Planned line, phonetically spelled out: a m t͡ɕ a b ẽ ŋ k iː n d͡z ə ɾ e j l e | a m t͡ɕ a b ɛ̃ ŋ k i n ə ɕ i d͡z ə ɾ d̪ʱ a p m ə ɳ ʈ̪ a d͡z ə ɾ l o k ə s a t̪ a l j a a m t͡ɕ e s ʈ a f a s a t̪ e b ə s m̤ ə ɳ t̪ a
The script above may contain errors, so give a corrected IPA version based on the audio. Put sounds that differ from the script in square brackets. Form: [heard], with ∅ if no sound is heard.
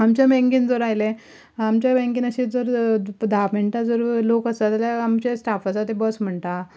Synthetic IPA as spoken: a m t͡ɕ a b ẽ ŋ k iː n d͡z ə ɾ [a] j l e | a m t͡ɕ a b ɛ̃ ŋ k i n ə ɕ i d͡z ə ɾ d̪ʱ a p m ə ɳ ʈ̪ a d͡z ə ɾ l o k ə s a t̪ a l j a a m t͡ɕ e s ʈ a f a [t͡s] a t̪ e b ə s m̤ ə ɳ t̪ a